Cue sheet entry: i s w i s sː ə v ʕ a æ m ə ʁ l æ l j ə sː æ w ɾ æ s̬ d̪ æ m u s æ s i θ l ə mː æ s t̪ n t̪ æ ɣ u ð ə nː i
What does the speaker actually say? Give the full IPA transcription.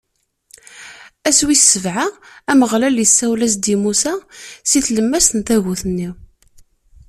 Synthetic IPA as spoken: æ s w i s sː ə v ʕ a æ m ə ʁ l æ l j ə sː æ w l æ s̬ d̪ i m u s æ s i θ l ə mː æ s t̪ n t̪ æ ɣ u θ ə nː i